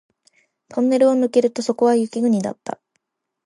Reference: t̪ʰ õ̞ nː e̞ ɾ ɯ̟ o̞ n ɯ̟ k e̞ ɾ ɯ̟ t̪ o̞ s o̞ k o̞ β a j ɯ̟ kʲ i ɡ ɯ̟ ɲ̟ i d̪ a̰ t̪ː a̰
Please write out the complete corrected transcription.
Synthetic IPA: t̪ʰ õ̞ nː e̞ ɾ ɯ̟ o̞ n ɯ̟ k e̞ ɾ ɯ̟ t̪ o̞ s o̞ k o̞ β a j ɯ̟ kʲ i ɡ ɯ̟ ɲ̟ i d̪ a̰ t̪ː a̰